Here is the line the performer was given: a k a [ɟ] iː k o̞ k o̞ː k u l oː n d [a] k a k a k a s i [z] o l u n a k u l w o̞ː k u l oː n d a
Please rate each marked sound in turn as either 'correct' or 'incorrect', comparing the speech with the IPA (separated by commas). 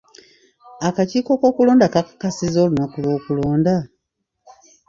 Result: incorrect, correct, correct